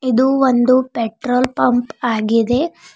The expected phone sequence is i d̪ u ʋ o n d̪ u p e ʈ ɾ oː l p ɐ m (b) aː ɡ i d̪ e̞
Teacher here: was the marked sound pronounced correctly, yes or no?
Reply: no